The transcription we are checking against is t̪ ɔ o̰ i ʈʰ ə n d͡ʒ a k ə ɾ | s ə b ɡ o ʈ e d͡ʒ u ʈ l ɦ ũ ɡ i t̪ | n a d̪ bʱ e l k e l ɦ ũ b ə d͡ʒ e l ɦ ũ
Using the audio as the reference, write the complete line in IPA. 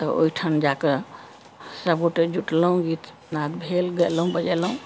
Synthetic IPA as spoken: t̪ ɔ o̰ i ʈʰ ə n d͡ʒ a k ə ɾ | s ə b ɡ o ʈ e d͡ʒ u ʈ l ɦ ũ ɡ i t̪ | n a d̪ bʱ e l ɡ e l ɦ ũ b ə d͡ʒ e l ɦ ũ